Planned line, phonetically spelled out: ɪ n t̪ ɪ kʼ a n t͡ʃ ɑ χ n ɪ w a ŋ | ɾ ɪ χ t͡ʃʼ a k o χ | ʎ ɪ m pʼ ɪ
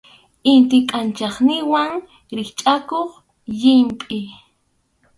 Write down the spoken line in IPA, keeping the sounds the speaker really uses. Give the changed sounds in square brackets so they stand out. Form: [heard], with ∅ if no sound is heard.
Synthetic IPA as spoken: ɪ n t̪ ɪ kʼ a n t͡ʃ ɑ χ n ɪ w a ŋ | ɾ ɪ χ t͡ʃʼ a k o χ | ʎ ɪ m pʼ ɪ